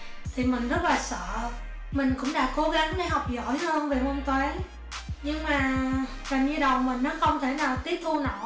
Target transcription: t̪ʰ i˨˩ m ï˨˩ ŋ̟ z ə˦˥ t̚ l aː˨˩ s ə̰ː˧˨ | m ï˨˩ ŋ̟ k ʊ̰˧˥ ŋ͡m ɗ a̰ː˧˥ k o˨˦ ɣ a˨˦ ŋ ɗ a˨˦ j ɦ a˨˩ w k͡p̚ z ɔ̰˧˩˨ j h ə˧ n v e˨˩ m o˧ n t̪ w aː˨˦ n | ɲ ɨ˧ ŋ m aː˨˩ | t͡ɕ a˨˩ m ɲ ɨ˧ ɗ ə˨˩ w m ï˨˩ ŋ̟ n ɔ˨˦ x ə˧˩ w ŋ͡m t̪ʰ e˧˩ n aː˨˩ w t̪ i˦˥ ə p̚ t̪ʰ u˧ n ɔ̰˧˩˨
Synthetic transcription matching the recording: t̪ʰ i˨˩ m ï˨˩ ŋ̟ z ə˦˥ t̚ l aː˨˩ s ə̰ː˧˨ | m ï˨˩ ŋ̟ k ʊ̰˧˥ ŋ͡m ɗ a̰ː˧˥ k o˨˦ ɣ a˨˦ ŋ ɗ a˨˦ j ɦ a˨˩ w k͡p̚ z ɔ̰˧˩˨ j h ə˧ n v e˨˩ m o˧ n t̪ w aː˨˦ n | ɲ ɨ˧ ŋ m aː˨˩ | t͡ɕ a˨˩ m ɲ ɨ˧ ɗ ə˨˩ w m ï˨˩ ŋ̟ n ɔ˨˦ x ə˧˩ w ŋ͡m t̪ʰ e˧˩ n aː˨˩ w t̪ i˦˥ ə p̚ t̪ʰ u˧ n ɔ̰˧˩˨